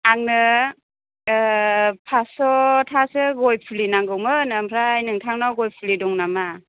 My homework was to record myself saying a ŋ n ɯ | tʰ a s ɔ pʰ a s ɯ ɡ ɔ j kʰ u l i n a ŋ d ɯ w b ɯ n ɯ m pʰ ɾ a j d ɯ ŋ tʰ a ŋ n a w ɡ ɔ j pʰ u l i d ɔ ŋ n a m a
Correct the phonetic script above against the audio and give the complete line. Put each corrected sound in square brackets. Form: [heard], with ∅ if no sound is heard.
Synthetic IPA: a ŋ n ɯ | [pʰ] a s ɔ [tʰ] a s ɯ ɡ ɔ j [pʰ] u l i n a ŋ [ɡ] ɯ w [m] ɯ n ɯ m pʰ ɾ a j [n] ɯ ŋ tʰ a ŋ n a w ɡ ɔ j pʰ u l i d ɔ ŋ n a m a